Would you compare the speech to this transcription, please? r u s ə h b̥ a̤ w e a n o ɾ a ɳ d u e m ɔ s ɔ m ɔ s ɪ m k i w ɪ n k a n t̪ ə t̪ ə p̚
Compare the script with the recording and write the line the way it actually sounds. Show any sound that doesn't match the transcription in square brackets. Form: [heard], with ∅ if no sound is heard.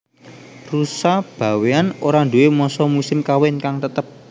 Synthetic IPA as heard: r u s [a] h b̥ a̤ w e a n o ɾ a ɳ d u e m ɔ s ɔ m [u] s ɪ m k [a] w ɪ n k a [ŋ] t̪ ə t̪ ə p̚